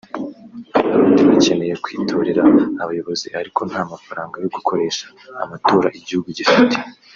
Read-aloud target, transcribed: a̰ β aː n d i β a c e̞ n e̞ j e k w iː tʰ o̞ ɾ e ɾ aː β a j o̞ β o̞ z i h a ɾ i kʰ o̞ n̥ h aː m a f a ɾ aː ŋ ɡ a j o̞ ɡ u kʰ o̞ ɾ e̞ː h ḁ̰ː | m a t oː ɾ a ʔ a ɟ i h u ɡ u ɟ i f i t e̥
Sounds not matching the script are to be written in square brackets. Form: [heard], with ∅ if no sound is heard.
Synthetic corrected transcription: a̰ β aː n d i β a c e̞ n e̞ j e k w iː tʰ o̞ ɾ e ɾ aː β a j o̞ β o̞ z i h a ɾ i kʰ o̞ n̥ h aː m a f a ɾ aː ŋ ɡ a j o̞ ɡ u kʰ o̞ ɾ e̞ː [ʃ] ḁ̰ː | m a t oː ɾ a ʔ [i] ɟ i h u ɡ u ɟ i f i t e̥